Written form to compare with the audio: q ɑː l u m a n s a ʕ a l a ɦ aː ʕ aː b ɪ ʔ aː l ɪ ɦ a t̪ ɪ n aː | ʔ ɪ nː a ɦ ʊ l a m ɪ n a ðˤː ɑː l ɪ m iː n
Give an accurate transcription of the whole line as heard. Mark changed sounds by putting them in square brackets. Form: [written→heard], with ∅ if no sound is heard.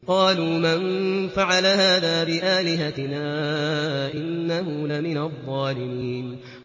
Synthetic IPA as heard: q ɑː l [u→uː] m a n [s→f] a ʕ a l a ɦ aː [ʕ→ð] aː b ɪ ʔ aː l ɪ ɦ a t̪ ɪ n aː | ʔ ɪ nː a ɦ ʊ l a m ɪ n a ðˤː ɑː l ɪ m iː n